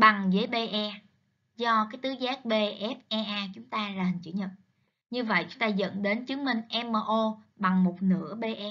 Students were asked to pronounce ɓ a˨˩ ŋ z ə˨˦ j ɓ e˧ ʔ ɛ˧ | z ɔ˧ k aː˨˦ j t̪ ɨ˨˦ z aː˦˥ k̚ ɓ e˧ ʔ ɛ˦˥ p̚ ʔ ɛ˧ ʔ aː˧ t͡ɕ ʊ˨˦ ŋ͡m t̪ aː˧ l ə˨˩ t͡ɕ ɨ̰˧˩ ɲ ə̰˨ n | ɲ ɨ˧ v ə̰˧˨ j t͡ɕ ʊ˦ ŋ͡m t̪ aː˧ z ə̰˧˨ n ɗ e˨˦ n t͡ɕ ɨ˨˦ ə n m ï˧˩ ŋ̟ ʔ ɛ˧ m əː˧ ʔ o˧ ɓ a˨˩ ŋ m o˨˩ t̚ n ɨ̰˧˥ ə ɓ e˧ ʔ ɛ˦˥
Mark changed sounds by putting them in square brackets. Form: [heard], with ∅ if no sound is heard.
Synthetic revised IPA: ɓ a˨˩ ŋ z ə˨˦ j ɓ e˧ ʔ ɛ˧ | z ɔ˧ k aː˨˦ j t̪ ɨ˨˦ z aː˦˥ k̚ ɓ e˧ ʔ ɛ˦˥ p̚ ʔ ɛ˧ ʔ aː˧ t͡ɕ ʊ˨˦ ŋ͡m t̪ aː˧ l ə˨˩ t͡ɕ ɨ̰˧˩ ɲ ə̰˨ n | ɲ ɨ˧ v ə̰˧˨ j t͡ɕ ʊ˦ ŋ͡m t̪ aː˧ z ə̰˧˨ n ɗ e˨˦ n t͡ɕ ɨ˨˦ ə [ŋ] m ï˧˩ ŋ̟ ʔ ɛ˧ m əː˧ ʔ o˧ ɓ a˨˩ ŋ m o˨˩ t̚ n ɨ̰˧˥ ə ɓ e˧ ʔ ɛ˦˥